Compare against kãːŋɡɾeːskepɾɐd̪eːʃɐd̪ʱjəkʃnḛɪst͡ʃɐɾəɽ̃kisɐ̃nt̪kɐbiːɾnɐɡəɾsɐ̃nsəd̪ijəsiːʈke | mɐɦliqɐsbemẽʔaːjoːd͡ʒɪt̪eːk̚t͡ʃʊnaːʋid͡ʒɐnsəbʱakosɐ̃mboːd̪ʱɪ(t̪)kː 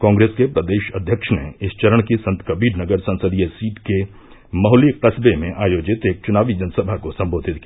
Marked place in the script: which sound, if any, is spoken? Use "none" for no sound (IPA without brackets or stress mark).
t̪